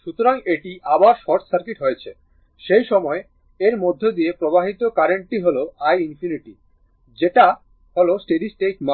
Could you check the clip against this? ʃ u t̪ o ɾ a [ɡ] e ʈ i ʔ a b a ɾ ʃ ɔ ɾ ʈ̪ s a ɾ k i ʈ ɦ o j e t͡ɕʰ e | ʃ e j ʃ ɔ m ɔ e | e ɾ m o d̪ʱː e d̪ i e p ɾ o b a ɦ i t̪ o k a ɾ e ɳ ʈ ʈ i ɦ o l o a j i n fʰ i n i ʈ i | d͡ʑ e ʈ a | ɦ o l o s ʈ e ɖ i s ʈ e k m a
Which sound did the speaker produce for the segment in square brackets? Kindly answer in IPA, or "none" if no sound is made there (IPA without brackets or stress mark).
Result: ŋ